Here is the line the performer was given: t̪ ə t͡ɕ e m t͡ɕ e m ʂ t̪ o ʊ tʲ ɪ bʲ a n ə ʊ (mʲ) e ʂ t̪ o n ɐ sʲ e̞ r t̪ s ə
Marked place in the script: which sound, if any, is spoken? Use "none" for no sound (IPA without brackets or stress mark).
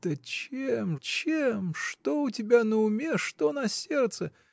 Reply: mʲ